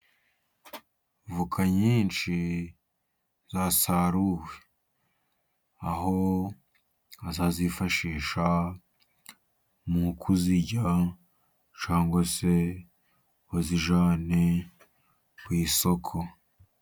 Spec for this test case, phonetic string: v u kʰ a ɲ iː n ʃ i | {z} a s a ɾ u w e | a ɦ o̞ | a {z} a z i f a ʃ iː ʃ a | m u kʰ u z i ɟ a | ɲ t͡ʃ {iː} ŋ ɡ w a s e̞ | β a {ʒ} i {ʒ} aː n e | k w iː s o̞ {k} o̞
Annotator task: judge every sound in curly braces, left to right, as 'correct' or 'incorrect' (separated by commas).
correct, correct, incorrect, incorrect, correct, incorrect